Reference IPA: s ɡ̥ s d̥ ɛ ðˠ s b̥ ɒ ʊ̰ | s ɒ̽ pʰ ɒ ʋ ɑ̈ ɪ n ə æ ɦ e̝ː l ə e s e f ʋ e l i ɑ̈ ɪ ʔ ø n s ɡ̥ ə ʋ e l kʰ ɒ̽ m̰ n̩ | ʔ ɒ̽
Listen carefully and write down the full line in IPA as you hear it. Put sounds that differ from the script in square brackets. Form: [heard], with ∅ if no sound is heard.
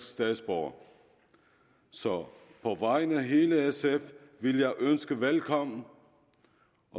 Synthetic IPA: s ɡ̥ s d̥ ɛ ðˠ s b̥ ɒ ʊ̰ | s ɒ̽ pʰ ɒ ʋ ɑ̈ ɪ n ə æ ɦ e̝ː l ə e s e f ʋ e l [j] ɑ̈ ɪ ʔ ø n s ɡ̥ ə ʋ e l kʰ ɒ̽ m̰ n̩ | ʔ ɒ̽